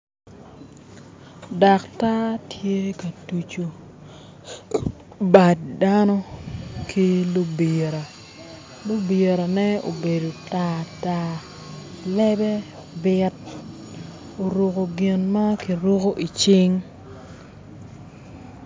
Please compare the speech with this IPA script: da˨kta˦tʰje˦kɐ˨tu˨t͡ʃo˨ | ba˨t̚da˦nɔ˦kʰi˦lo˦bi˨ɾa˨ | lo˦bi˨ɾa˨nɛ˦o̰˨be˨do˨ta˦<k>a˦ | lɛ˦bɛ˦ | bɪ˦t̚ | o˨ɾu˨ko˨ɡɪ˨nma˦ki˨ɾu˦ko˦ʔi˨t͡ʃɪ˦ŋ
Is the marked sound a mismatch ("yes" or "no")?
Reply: yes